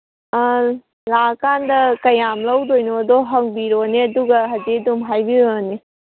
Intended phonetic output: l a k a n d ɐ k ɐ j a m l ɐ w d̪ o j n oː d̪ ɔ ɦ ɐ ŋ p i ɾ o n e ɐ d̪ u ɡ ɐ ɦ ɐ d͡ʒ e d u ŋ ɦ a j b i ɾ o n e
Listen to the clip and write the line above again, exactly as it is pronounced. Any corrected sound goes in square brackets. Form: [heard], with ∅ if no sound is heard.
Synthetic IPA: l a k a n d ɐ k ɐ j a m l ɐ w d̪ o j n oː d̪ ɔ ɦ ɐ ŋ [b] i ɾ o n e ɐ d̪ u ɡ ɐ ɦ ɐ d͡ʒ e d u [m] ɦ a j b i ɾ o n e

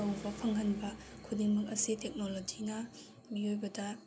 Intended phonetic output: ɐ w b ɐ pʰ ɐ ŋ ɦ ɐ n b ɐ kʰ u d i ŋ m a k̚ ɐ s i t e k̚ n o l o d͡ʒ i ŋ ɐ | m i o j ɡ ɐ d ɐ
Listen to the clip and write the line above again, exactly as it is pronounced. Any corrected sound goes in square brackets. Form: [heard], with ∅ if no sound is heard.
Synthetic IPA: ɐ w b ɐ pʰ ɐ ŋ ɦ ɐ n b ɐ kʰ u d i ŋ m [ɐ] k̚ ɐ s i t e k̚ n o l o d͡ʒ i [n] ɐ | m i o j [b] ɐ d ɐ

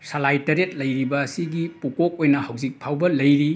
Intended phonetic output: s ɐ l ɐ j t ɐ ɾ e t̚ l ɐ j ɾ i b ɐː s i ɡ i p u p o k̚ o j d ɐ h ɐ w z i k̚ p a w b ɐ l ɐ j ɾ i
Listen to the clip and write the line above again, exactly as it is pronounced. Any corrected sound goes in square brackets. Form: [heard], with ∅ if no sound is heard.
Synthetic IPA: s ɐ l [a] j t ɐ ɾ e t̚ l ɐ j ɾ i b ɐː s i ɡ i p u [k] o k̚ o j [n] ɐ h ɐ w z i k̚ [pʰ] a w b ɐ l ɐ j ɾ i

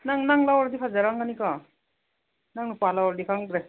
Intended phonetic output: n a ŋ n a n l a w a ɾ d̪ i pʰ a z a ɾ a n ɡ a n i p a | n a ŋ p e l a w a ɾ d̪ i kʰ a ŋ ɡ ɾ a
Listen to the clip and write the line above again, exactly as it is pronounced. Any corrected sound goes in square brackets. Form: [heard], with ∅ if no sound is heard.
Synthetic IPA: n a ŋ n a [ŋ] l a w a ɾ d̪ i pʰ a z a ɾ a [ŋ] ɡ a n i [k] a | n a ŋ p [a] l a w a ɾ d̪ i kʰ a ŋ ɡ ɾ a

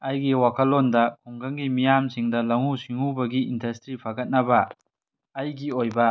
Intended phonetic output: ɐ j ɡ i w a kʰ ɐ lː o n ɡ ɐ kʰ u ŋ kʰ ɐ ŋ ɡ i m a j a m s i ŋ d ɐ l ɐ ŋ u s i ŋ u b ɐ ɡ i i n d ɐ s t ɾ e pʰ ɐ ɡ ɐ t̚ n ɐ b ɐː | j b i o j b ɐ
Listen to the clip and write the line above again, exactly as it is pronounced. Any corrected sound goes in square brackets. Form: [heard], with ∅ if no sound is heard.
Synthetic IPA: ɐ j ɡ i w a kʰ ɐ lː o n [d] ɐ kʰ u ŋ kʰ ɐ ŋ ɡ i m [i] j a m s i ŋ d ɐ l ɐ ŋ u s i ŋ u b ɐ ɡ i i n d ɐ s t ɾ [i] pʰ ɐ ɡ ɐ t̚ n ɐ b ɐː | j [ɡ] i o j b ɐ

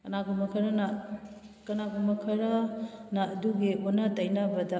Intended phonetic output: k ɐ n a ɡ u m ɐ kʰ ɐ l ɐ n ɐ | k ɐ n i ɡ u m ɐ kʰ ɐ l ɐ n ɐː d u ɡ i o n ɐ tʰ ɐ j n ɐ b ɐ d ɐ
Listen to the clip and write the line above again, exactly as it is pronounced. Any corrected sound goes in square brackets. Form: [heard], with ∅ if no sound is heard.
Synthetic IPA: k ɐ n a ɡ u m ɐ kʰ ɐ [ɾ] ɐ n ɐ | k ɐ n [a] ɡ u m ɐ kʰ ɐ [ɾ] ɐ n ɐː d u ɡ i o n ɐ [t] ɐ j n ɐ b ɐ d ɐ

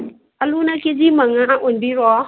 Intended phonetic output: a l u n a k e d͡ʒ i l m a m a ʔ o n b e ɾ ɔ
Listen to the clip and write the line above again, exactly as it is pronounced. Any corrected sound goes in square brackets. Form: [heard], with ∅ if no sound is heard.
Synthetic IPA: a l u n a k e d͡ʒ i [∅] m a [ŋ] a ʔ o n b [i] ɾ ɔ

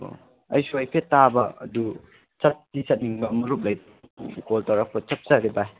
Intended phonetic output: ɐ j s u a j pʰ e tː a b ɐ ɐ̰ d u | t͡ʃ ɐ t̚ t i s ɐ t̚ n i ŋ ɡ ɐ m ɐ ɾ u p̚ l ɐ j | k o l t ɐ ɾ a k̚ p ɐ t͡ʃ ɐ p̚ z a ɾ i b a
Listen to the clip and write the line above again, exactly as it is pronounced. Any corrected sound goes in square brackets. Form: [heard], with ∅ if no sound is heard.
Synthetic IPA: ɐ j s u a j pʰ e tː a b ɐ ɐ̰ d u | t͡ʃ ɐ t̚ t i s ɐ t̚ n i ŋ [b] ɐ m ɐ ɾ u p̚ l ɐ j | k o l t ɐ ɾ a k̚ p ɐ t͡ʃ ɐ p̚ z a ɾ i b a

